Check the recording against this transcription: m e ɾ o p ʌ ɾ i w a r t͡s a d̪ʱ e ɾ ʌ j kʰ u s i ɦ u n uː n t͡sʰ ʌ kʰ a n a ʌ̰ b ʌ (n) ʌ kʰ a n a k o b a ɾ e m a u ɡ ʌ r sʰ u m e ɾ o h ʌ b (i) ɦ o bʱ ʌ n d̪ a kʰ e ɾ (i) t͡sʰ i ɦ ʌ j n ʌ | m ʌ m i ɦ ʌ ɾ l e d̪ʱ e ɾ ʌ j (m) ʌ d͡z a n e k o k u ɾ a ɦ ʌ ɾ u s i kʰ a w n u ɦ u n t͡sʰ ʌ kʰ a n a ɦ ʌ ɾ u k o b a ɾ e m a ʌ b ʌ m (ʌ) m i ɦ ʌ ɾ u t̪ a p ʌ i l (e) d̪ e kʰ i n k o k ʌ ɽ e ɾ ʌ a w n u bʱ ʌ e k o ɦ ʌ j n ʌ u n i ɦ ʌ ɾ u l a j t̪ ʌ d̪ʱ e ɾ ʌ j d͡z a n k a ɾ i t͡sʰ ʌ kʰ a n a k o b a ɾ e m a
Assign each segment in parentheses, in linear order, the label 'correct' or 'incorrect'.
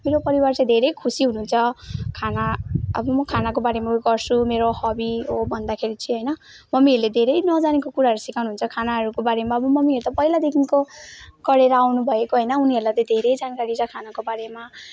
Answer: incorrect, correct, correct, incorrect, correct, incorrect

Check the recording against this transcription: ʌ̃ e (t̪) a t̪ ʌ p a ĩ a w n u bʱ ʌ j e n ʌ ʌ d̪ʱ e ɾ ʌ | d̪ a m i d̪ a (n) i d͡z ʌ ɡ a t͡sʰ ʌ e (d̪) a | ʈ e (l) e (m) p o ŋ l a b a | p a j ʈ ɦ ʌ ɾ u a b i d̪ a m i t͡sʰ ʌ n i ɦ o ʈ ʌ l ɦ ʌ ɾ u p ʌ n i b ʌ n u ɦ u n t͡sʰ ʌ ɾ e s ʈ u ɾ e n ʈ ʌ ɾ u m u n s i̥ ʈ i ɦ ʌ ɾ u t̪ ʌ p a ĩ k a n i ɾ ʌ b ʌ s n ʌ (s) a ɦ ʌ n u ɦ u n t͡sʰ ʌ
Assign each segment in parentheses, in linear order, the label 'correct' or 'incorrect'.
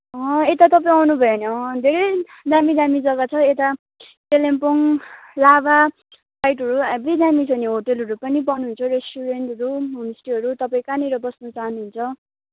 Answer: correct, incorrect, incorrect, correct, correct, incorrect

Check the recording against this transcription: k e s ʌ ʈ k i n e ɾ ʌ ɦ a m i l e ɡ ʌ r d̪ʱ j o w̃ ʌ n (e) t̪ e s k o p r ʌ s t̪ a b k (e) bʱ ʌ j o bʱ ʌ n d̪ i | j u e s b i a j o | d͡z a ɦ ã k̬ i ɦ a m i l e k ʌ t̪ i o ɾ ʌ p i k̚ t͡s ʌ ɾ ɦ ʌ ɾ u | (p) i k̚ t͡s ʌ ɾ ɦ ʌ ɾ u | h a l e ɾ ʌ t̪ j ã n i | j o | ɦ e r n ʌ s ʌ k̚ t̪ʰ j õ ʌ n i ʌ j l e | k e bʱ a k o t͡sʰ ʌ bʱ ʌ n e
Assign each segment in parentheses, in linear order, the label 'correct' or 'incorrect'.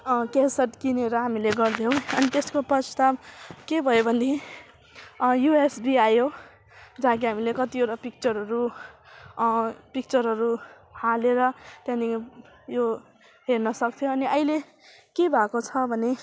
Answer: incorrect, correct, correct

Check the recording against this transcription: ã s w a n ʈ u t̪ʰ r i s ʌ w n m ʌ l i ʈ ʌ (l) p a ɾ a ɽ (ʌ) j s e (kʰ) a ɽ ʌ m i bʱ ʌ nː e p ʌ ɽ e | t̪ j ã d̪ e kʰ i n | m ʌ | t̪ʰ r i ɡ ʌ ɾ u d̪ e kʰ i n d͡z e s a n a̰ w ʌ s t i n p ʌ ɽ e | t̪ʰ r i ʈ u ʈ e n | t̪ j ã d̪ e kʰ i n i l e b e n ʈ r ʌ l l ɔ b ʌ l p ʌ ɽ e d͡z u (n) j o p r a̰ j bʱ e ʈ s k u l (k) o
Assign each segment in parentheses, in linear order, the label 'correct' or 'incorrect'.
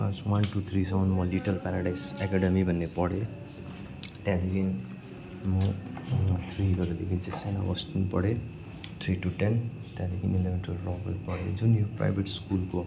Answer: correct, incorrect, incorrect, correct, correct

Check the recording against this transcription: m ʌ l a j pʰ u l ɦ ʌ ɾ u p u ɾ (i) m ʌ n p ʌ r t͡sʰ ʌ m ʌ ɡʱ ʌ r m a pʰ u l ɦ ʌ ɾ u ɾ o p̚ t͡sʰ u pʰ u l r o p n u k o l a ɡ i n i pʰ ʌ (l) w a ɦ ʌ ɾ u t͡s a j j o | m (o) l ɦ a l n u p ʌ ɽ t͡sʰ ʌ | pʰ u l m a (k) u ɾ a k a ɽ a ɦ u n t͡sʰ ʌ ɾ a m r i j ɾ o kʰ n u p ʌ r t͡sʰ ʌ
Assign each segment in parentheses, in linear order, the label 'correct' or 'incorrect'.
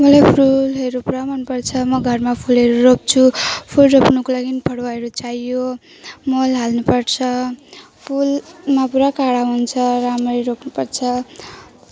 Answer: incorrect, incorrect, correct, incorrect

